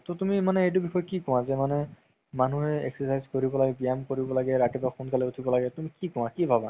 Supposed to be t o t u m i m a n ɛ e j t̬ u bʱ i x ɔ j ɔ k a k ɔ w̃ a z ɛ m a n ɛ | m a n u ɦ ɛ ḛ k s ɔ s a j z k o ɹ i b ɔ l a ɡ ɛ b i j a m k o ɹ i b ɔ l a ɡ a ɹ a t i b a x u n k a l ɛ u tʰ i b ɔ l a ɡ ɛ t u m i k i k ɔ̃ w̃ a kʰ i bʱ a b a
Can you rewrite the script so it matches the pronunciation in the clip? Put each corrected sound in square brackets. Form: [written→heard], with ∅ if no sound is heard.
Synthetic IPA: t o t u m i m a n ɛ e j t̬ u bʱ i x ɔ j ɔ k [a→i] k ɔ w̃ a z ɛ m a n ɛ | m a n u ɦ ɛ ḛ k s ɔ s a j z k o ɹ i b ɔ l a ɡ ɛ b i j a m k o ɹ i b ɔ l a ɡ [a→ɛ] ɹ a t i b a x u n k a l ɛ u tʰ i b ɔ l a ɡ ɛ t u m i k i k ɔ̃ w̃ a [kʰ→k] i bʱ a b a